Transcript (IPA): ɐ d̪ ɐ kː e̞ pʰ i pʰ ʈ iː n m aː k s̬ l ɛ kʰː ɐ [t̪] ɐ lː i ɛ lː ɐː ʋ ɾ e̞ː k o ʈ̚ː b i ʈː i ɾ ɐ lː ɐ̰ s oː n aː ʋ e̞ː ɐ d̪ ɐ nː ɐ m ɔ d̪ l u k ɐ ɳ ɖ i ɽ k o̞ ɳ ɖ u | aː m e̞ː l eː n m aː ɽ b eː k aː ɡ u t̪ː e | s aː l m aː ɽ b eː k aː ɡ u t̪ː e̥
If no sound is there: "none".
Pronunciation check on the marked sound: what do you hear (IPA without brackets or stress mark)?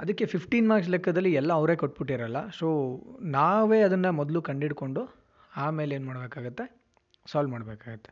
d̪